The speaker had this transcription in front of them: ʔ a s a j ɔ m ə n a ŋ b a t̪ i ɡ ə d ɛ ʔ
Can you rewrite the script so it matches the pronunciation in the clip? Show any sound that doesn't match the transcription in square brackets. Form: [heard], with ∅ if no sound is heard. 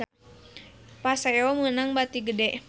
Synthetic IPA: [p] a s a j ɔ m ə n a ŋ b a t̪ i ɡ ə d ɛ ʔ